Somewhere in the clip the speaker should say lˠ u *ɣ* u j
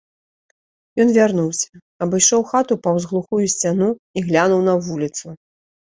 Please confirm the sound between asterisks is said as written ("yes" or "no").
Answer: no